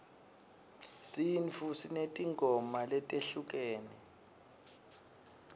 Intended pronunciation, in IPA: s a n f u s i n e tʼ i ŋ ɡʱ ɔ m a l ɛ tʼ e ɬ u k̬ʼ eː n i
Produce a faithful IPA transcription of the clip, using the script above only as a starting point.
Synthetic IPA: s i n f u s i n e tʼ i ŋ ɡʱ ɔ m a l ɛ tʼ e ɬ u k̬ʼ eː n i

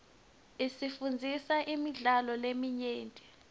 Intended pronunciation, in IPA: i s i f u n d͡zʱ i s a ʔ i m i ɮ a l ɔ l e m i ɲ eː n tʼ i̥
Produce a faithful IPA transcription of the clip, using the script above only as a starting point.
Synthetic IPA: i s i f u n d͡zʱ i s a ʔ i m i ɮ a l ɔ l e m i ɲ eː n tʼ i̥

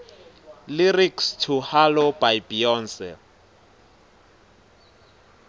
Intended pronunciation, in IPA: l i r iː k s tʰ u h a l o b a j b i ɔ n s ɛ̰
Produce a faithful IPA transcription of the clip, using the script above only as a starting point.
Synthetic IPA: l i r i k s tʰ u h a l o b a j b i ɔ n s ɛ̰

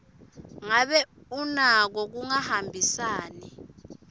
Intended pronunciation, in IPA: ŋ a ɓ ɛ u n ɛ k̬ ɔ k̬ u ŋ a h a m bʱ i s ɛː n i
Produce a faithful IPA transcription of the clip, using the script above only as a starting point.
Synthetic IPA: ŋ a ɓ ɛ u n a k̬ ɔ k̬ u ŋ a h a m bʱ i s aː n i

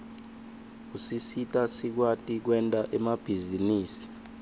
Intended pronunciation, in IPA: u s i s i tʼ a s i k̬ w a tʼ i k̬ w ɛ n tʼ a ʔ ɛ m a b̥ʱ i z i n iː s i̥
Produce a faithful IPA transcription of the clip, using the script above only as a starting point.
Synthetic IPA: u s i s i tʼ a s i k̬ w a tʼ i k̬ w ɛ n tʼ a ʔ ɛ m a b̥ʱ i z i n iː s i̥

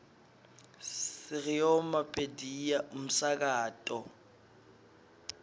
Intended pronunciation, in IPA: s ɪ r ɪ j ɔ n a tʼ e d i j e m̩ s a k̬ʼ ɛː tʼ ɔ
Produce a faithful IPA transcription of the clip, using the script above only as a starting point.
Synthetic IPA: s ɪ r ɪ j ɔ m a pʼ e d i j a m̩ s a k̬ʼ aː tʼ ɔ

